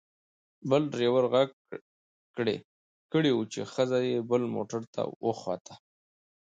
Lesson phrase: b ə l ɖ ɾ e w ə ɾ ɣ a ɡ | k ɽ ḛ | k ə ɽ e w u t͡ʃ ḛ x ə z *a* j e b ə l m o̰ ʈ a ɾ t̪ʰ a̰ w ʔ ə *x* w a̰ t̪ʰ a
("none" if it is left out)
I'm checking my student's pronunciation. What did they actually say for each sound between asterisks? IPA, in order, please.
a, x

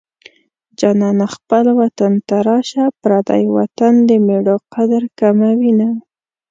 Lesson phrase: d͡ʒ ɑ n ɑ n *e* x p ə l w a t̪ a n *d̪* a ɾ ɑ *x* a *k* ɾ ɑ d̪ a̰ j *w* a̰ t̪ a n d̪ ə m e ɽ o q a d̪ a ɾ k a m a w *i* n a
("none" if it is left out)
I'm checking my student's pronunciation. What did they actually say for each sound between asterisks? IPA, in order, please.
a, t̪, ʃ, p, w, i

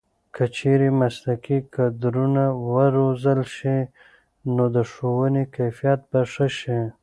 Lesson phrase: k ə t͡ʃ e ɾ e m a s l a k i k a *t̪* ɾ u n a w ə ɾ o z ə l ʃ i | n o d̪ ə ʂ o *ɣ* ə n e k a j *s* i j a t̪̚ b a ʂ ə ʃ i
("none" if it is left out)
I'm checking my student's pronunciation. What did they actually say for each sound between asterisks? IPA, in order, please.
d̪, w, f

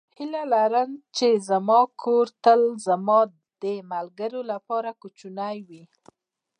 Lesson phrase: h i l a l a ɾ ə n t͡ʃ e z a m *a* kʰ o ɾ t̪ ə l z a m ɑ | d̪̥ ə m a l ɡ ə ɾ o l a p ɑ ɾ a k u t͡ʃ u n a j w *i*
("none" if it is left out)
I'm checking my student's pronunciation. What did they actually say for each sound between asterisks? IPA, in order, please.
ɑ, i

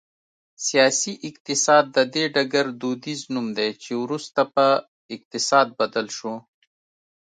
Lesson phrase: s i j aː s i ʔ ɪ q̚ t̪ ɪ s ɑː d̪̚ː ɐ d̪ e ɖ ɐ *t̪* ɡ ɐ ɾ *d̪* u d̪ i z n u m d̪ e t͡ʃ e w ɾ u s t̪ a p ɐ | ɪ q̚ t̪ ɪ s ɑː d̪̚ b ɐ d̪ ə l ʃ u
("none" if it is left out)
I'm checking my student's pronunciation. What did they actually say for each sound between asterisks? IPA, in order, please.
none, d̪

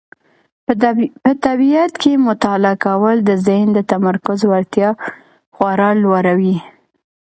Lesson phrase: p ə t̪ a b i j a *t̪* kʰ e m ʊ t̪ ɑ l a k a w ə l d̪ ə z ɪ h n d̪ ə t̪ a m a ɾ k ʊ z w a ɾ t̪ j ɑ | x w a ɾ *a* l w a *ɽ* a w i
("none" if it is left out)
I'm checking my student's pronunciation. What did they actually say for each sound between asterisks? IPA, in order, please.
t̪, ɑ, ɾ

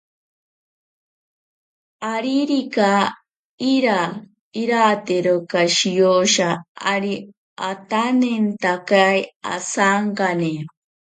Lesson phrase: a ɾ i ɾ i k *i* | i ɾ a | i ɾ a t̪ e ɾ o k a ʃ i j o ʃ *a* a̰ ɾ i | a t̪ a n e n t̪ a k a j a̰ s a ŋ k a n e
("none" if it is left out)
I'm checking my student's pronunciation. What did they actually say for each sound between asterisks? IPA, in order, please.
a, a

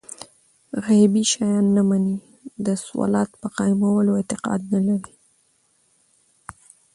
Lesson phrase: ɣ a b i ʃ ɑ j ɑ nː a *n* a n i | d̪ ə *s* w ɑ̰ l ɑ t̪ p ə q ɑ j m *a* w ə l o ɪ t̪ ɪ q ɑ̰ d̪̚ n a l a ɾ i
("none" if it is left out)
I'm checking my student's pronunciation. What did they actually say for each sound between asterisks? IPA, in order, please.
m, s, a

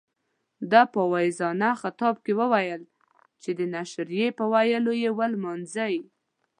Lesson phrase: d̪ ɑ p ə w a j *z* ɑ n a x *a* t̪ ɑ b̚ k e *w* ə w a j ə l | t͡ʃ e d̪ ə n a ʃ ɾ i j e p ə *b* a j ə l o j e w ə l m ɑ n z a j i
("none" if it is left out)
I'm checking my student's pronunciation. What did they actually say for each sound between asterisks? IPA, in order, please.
z, a, w, w

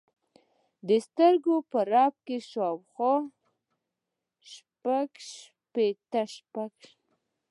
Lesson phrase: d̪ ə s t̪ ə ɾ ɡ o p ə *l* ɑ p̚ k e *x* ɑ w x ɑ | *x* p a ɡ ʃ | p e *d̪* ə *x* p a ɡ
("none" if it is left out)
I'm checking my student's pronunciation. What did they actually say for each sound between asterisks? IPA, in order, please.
ɾ, ʃ, ʃ, t̪, ʃ

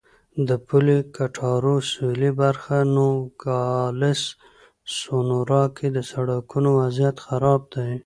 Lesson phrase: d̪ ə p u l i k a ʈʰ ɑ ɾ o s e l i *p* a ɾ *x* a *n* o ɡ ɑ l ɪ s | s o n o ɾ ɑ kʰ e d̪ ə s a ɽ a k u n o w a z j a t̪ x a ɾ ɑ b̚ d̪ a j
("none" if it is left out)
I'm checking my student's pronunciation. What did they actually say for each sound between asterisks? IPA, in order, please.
b, x, n

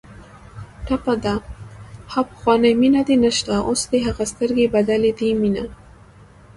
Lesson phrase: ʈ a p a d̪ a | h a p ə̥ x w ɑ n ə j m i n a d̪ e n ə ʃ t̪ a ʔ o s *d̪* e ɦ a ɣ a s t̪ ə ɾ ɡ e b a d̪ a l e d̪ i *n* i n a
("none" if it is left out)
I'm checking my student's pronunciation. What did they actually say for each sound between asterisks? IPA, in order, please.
d̪, m

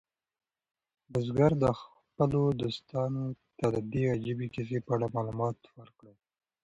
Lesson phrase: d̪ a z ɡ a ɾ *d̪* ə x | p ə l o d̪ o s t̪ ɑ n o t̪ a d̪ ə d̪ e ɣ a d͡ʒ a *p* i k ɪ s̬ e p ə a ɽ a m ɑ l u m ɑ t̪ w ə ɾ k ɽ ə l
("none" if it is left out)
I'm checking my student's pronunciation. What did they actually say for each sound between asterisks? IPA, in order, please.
d̪, b

